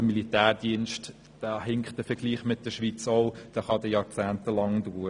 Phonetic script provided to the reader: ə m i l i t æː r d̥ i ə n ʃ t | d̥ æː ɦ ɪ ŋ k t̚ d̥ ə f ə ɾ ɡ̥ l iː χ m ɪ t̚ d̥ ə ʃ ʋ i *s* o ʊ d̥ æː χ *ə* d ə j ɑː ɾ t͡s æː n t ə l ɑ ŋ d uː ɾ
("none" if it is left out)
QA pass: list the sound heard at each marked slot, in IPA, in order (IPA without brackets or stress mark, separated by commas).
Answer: t͡s, ɑ